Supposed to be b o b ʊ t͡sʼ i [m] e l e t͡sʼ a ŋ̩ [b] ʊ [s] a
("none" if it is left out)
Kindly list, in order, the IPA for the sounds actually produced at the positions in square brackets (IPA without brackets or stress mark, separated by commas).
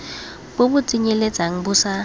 ɲ, b, s